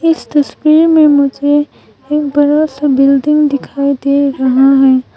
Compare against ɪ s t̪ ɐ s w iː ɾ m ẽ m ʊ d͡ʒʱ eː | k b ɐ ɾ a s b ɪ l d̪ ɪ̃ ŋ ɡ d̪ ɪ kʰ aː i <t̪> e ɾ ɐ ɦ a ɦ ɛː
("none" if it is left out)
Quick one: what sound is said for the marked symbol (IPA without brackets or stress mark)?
d̪